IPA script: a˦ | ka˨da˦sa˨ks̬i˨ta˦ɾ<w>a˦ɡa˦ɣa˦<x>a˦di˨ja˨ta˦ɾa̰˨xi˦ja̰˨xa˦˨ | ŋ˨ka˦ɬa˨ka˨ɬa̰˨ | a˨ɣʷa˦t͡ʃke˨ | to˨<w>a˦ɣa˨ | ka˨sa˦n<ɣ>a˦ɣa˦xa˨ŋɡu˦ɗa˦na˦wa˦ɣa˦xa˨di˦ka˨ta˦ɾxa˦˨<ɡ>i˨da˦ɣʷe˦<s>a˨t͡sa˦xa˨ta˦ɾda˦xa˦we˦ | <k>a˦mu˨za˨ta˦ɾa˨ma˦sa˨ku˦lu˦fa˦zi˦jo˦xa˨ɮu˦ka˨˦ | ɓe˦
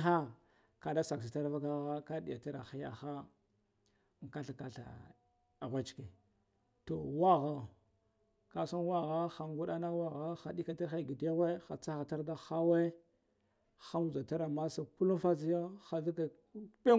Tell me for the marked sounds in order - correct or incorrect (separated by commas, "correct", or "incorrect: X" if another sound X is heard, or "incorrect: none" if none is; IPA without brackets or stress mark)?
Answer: incorrect: v, incorrect: k, correct, incorrect: w, correct, incorrect: x, incorrect: x